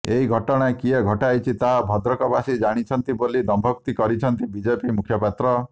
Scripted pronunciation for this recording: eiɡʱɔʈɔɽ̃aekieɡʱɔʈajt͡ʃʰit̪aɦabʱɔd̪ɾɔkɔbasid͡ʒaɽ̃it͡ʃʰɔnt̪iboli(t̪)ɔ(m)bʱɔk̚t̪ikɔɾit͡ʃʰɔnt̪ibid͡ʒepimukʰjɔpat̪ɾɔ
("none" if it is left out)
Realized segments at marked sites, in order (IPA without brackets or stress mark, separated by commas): d̪, m